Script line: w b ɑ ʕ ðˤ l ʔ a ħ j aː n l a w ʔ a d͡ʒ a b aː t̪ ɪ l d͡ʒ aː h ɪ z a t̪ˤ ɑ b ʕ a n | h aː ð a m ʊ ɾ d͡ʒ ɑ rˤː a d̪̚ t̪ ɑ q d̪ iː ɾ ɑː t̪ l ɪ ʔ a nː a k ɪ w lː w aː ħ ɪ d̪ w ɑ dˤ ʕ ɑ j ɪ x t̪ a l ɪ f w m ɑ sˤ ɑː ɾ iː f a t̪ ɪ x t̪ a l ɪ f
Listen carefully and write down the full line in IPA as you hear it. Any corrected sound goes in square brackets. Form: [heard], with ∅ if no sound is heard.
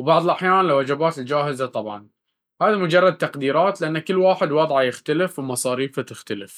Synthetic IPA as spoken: w b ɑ ʕ ðˤ l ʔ a ħ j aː n l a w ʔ a d͡ʒ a b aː t̪ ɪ l d͡ʒ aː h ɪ z a t̪ˤ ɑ b ʕ [ɑ] n | h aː ð a m ʊ [∅] d͡ʒ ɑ rˤː [ɑ] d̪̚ t̪ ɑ q d̪ iː ɾ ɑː t̪ l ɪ ʔ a nː a k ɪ [∅] lː w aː ħ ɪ d̪ w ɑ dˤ ʕ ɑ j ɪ x t̪ a l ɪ f w m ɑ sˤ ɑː ɾ iː f a t̪ ɪ x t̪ a l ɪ f